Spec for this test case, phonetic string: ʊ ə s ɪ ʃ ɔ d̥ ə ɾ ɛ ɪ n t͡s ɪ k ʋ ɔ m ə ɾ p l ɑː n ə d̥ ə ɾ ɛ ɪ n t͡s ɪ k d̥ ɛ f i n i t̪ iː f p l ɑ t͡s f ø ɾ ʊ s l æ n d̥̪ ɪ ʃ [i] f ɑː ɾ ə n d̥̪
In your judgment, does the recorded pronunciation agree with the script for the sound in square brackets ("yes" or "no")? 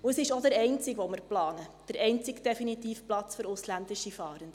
yes